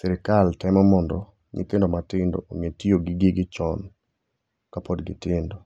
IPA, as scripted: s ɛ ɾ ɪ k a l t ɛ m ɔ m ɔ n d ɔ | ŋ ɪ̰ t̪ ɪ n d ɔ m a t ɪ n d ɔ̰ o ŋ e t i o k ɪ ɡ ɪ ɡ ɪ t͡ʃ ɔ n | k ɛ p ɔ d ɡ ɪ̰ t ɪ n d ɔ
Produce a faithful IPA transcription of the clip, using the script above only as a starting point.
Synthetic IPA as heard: s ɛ ɾ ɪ k a l t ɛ m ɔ m ɔ n d ɔ | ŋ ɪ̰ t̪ ɪ n d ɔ m a t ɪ n d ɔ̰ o ŋ e t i o ɡ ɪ ɡ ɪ ɡ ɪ t͡ʃ ɔ n | k a p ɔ d ɡ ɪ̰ t ɪ n d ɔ